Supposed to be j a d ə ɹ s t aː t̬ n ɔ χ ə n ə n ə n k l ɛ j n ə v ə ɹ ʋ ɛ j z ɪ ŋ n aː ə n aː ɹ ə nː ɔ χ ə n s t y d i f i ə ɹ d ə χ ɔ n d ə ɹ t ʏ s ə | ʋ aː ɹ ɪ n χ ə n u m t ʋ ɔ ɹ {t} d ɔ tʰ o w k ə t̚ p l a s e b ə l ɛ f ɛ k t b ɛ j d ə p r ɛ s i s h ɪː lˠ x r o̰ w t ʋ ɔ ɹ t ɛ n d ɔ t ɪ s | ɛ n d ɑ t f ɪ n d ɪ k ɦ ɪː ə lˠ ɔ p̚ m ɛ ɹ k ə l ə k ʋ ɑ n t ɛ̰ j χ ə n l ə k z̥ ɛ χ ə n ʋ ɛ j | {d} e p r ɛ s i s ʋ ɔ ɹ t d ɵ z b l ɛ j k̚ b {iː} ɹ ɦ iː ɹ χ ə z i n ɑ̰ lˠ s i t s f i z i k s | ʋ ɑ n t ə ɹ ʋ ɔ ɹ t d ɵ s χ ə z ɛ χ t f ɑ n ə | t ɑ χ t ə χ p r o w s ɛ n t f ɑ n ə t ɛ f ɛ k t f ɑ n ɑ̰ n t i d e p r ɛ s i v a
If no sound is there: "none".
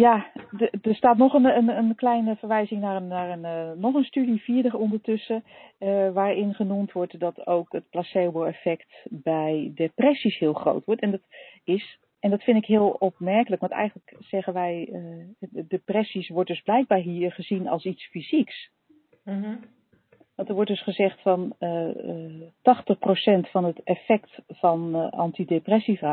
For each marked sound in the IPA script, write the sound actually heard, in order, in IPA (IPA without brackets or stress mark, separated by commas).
t, d, aː